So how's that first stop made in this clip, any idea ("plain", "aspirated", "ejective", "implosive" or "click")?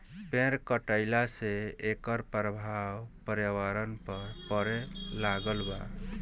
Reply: plain